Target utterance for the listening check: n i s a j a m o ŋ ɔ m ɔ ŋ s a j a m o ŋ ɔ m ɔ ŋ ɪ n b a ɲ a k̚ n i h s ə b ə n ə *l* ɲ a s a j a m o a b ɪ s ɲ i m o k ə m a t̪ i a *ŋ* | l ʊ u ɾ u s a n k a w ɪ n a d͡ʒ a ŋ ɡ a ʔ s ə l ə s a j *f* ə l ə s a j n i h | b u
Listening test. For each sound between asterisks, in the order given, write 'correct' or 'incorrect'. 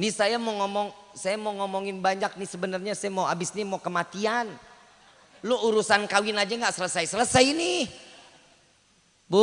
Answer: incorrect: r, incorrect: n, incorrect: s

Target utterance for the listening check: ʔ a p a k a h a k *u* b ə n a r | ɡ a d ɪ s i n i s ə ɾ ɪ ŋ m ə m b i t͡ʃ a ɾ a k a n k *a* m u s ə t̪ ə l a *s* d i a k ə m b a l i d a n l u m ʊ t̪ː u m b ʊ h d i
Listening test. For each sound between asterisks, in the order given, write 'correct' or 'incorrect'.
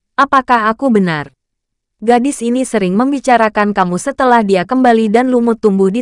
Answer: correct, correct, incorrect: h

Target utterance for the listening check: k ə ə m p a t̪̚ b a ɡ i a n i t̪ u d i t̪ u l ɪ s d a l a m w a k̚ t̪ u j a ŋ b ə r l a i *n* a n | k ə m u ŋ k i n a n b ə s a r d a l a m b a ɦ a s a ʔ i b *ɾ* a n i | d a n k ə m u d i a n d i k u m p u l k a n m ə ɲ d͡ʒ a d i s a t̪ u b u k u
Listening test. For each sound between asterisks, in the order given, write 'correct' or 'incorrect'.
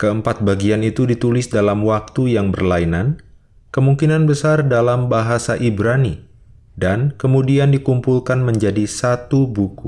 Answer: correct, correct

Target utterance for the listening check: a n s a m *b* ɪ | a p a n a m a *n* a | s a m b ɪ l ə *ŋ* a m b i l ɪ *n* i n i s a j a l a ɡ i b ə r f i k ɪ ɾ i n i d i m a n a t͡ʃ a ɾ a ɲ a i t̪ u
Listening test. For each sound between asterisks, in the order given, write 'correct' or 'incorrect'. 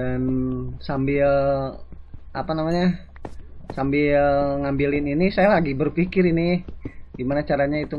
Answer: correct, incorrect: ɲ, correct, correct

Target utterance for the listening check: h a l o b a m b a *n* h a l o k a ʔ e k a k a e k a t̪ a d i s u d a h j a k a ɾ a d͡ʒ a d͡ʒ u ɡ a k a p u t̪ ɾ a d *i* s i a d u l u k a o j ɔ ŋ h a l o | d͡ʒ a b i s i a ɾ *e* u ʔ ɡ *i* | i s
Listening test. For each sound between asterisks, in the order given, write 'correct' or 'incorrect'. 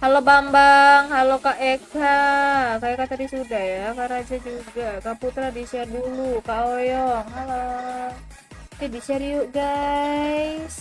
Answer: incorrect: ŋ, correct, incorrect: i, incorrect: a

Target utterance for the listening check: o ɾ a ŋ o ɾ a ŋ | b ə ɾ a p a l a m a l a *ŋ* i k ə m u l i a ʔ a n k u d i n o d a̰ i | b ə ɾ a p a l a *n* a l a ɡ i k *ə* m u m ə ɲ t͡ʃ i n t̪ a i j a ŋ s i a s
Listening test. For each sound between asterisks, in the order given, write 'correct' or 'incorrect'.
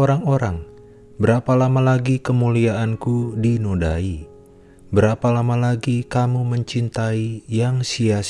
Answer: incorrect: ɡ, incorrect: m, incorrect: a

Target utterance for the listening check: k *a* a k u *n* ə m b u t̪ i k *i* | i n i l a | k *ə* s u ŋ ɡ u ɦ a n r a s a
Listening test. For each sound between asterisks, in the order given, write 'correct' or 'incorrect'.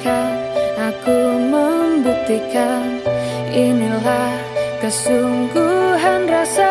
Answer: correct, incorrect: m, incorrect: a, correct

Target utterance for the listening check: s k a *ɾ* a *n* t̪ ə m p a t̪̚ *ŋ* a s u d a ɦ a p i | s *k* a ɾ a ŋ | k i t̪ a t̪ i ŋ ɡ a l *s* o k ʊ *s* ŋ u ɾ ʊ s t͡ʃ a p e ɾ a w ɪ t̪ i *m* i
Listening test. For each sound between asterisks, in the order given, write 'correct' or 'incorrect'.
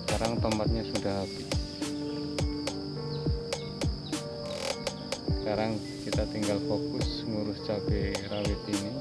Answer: correct, incorrect: ŋ, incorrect: ɲ, correct, incorrect: f, correct, incorrect: n

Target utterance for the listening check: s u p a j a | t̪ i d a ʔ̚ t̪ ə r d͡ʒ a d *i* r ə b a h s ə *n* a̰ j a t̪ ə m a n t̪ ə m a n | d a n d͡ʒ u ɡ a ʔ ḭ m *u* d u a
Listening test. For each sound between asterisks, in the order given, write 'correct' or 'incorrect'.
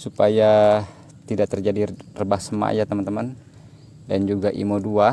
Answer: correct, incorrect: m, incorrect: o

